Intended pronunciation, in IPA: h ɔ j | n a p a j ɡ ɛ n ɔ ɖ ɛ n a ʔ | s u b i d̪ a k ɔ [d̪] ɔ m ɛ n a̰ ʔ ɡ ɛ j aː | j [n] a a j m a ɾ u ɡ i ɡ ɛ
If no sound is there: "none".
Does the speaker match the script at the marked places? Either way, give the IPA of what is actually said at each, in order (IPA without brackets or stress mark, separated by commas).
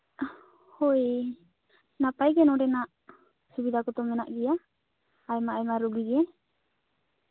t̪, m